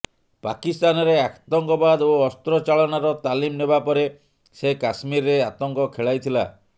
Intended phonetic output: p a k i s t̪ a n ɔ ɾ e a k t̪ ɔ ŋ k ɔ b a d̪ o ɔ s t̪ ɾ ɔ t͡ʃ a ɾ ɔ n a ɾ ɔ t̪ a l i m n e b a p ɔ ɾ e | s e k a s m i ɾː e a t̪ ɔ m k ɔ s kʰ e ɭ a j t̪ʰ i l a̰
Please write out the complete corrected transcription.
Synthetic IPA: p a k i s t̪ a n ɔ ɾ e a k t̪ ɔ ŋ k ɔ b a d̪ o ɔ s t̪ ɾ ɔ t͡ʃ a ɭ ɔ n a ɾ ɔ t̪ a l i m n e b a p ɔ ɾ e | s e k a s m i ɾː e a t̪ ɔ ŋ k ɔ kʰ e ɭ a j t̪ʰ i l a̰